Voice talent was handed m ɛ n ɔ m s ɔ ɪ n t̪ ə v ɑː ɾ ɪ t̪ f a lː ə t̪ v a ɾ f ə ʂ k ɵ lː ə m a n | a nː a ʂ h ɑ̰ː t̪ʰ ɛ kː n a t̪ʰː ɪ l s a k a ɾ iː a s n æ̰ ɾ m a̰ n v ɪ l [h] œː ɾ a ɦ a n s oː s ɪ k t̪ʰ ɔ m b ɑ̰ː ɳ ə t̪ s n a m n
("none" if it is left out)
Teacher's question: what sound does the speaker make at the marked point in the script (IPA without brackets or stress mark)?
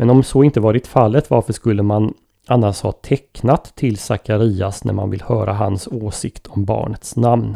h